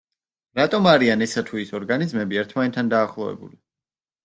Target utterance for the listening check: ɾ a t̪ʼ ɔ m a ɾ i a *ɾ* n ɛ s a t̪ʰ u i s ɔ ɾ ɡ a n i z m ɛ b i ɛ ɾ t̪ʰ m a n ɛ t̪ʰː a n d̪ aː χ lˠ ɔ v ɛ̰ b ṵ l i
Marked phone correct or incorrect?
incorrect